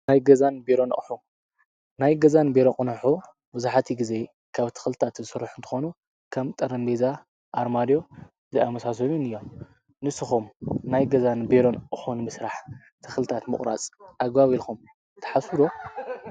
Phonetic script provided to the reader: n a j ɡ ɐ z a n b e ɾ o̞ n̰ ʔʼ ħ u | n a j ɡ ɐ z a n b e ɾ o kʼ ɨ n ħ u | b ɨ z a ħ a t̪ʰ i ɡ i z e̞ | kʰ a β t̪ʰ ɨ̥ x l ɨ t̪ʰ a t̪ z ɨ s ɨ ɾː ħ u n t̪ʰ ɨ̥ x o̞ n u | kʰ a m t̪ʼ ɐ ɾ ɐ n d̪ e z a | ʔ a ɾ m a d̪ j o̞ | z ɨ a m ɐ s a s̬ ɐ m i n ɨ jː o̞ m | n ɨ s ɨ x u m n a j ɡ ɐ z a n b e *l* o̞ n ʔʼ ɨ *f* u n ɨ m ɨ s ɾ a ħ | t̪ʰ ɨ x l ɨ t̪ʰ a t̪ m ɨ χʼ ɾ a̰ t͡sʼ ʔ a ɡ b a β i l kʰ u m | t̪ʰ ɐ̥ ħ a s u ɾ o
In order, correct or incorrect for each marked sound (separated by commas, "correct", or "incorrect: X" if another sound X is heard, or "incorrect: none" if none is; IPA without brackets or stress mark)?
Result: incorrect: ɾ, incorrect: ħ